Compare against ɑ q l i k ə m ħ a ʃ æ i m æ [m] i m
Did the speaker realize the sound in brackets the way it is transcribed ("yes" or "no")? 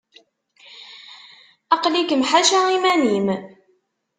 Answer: no